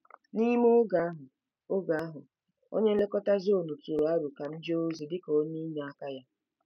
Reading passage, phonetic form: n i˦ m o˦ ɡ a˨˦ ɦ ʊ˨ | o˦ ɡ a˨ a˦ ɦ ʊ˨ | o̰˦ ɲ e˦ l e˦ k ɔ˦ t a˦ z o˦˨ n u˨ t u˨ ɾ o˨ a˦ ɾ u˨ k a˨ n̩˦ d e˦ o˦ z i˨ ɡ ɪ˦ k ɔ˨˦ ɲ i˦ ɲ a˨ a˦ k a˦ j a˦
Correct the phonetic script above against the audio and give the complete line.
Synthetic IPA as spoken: n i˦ m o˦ ɡ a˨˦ ɦ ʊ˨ | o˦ ɡ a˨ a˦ ɦ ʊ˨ | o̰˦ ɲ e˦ l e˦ k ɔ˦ t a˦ z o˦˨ n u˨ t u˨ ɾ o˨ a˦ ɾ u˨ k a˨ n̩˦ d͡ʒ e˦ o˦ z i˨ d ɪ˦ k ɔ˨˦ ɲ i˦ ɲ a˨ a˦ k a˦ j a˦